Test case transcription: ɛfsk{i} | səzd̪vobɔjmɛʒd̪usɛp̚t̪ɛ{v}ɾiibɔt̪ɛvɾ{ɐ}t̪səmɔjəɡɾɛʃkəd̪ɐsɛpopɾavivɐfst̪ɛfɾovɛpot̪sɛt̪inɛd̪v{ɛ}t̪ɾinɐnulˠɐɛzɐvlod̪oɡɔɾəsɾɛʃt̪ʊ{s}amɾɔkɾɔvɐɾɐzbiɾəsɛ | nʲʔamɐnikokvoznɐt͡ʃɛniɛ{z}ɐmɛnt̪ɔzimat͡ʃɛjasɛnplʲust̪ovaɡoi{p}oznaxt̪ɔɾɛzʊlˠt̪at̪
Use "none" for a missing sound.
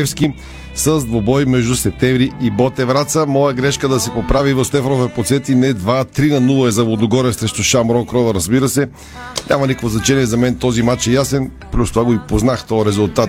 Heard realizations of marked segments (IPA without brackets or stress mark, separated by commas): i, v, a, a, ʃ, z, p